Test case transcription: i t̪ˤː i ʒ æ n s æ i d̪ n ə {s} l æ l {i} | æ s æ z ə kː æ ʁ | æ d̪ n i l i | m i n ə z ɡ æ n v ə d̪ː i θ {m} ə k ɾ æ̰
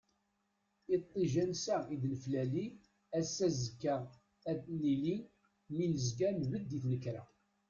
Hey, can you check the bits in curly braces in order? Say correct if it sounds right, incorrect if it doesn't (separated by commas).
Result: incorrect, correct, incorrect